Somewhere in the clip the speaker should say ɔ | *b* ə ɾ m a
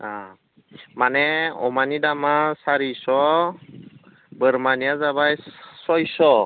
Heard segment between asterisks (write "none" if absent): b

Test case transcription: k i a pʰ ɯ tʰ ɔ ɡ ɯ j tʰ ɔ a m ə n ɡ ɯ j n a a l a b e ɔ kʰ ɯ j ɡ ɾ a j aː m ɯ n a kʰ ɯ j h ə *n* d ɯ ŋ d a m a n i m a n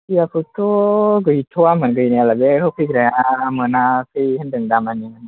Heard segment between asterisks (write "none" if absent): n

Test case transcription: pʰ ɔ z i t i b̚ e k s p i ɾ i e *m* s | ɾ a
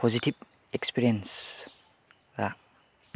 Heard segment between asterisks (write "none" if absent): n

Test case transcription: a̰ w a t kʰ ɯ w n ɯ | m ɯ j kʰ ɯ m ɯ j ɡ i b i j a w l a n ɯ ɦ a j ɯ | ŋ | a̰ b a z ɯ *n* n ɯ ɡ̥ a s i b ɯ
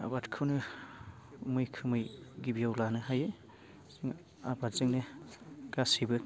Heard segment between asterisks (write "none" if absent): ŋ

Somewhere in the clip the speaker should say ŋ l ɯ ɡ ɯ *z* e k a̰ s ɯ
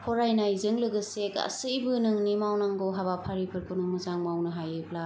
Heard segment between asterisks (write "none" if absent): s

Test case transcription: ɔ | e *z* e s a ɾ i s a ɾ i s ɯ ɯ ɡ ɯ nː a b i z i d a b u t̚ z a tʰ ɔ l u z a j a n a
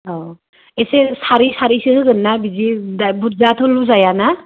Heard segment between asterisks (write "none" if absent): s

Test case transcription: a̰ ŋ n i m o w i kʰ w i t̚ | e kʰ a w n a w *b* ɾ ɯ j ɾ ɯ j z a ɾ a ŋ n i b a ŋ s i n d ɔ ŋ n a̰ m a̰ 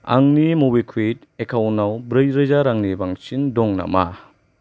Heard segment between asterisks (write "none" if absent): b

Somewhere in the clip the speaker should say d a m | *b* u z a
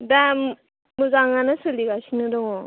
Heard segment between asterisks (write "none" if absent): m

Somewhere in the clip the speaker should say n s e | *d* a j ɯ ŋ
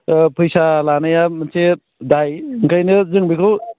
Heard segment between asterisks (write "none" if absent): d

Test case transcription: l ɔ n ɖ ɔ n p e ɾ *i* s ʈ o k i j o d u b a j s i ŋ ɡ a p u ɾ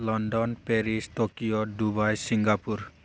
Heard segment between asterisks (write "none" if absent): i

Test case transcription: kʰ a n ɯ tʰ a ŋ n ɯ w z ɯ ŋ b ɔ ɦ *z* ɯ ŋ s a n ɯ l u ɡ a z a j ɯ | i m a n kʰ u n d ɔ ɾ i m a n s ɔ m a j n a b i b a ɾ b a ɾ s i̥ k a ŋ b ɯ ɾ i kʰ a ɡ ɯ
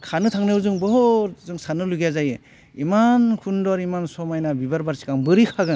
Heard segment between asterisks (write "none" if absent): z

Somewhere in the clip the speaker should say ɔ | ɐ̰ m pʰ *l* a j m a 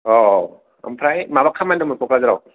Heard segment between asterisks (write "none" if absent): ɾ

